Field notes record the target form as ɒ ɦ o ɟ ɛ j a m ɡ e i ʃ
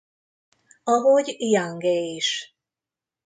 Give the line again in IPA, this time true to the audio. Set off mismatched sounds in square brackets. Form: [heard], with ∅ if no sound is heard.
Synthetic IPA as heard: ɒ ɦ o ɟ [i] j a [ŋ] ɡ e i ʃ